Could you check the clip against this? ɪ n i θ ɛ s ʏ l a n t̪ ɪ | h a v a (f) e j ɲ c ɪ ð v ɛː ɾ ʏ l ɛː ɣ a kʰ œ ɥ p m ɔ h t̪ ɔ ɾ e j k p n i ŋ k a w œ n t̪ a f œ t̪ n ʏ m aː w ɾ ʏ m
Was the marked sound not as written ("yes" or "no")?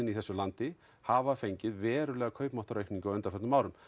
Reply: no